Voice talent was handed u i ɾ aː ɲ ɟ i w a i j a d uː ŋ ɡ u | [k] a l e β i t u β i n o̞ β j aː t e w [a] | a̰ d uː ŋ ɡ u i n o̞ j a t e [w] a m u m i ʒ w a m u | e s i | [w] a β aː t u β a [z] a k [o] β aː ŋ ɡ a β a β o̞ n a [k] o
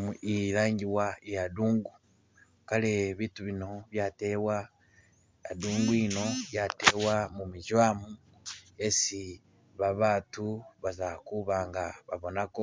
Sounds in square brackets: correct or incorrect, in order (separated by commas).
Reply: correct, correct, correct, incorrect, correct, incorrect, correct